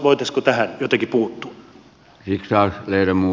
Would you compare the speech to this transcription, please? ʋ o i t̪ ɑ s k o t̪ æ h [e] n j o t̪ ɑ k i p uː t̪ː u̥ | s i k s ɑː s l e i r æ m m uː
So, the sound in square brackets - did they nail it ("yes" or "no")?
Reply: no